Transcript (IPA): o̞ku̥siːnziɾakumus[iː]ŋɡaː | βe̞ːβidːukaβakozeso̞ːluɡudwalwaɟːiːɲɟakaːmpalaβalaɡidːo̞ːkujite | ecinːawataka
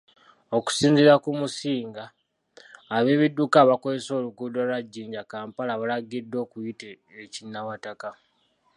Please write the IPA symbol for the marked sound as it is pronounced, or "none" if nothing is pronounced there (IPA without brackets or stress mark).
iː